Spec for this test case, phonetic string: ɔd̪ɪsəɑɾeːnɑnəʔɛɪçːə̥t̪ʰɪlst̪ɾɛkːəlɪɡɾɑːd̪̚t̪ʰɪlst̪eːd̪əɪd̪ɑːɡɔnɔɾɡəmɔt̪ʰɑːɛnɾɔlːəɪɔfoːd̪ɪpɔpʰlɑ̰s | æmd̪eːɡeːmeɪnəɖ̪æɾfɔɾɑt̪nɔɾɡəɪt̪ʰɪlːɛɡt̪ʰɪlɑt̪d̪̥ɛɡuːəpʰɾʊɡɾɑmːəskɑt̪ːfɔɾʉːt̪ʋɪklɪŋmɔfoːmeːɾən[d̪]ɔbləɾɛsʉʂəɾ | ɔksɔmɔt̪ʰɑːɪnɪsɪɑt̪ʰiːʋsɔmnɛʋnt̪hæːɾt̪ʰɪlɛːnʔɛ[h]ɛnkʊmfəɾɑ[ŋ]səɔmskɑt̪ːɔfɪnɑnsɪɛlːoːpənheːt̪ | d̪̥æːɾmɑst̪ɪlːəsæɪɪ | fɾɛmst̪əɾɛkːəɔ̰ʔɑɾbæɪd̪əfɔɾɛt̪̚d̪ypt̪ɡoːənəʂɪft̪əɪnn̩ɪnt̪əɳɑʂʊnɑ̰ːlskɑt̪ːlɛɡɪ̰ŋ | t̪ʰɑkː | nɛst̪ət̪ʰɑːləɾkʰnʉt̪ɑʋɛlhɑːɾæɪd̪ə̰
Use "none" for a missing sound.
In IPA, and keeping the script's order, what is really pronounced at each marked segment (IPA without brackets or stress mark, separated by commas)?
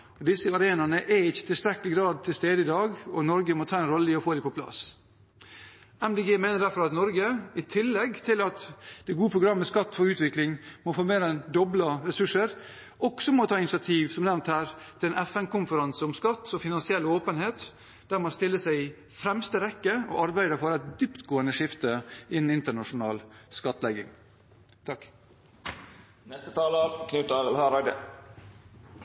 d̪, f, n